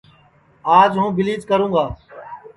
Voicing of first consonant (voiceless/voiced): voiced